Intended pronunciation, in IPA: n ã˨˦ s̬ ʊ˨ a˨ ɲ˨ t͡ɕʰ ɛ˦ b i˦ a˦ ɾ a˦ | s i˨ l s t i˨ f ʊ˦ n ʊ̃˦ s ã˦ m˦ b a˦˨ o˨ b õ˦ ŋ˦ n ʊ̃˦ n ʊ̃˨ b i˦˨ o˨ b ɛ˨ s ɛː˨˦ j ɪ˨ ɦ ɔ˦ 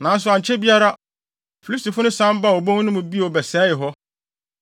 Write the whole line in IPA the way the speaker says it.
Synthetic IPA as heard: n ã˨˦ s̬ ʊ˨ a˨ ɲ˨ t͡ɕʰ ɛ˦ b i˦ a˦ ɾ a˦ | f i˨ l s t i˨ f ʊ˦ n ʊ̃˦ s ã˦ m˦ b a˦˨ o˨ b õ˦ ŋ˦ n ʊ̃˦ m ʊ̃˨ b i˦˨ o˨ b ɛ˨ s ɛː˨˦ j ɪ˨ ɦ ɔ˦